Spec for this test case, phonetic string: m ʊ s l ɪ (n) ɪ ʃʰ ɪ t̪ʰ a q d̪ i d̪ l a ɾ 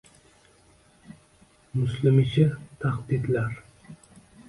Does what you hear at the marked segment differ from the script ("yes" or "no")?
yes